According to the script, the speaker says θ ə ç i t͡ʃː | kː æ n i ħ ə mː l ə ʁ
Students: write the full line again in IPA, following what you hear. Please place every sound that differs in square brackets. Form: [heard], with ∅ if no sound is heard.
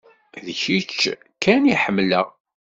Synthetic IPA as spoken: [ð] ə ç i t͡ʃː | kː æ n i ħ ə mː l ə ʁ